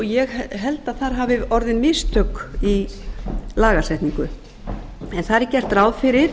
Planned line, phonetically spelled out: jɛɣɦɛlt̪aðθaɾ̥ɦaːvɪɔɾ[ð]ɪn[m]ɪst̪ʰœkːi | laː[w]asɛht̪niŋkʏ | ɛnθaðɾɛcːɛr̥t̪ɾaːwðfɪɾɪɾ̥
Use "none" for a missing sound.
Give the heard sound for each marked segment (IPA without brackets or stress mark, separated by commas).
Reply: ð, m, ɣ